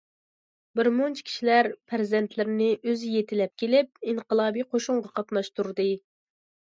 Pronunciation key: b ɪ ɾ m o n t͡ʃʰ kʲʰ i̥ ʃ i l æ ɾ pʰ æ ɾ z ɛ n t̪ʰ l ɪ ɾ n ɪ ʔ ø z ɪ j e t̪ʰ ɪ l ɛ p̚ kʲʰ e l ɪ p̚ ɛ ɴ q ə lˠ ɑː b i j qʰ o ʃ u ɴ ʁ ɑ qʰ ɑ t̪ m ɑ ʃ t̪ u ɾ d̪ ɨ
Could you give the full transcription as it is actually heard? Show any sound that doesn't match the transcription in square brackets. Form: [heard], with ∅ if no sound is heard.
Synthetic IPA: b ɪ ɾ m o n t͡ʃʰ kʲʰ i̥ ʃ i l æ ɾ pʰ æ ɾ z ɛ n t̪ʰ l ɪ ɾ n ɪ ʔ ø z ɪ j e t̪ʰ ɪ l ɛ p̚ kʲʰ e l ɪ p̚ [i] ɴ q ə lˠ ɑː b i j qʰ o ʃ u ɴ ʁ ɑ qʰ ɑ t̪ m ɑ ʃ t̪ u ɾ d̪ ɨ